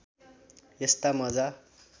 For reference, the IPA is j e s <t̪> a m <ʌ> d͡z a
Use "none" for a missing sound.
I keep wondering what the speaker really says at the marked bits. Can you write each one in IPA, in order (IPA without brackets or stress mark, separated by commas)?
t̪, ʌ